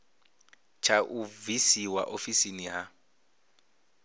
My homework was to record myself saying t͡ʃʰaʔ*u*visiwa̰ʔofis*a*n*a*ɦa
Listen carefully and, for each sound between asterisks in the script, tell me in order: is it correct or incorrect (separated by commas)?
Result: correct, incorrect, incorrect